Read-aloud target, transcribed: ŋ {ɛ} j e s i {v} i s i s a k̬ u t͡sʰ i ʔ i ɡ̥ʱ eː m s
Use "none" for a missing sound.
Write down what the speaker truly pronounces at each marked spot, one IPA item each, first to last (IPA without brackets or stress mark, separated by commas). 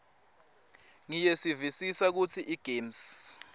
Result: i, v